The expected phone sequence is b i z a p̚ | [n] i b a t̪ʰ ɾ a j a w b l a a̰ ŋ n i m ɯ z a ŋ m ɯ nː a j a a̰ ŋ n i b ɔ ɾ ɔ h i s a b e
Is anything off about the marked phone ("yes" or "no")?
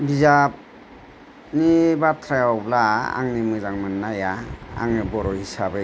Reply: no